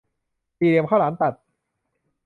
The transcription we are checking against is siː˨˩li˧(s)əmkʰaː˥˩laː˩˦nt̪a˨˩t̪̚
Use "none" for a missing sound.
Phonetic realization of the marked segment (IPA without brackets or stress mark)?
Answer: none